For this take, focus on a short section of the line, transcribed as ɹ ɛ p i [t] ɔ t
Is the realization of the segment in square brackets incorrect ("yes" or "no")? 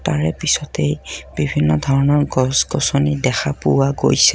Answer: yes